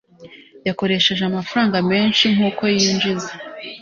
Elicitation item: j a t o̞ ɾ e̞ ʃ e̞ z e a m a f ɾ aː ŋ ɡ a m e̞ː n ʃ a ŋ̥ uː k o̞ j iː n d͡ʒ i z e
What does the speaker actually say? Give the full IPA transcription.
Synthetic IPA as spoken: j a k o̞ ɾ e̞ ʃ e̞ ʒ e a m a f ɾ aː ŋ ɡ a m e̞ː n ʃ i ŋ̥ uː k o̞ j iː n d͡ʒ i z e